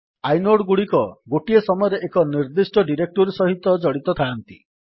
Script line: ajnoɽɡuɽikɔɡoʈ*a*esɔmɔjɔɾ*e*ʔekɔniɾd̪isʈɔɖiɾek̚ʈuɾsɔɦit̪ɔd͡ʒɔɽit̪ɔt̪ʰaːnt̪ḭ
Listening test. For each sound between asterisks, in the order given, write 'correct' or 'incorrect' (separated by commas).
incorrect, correct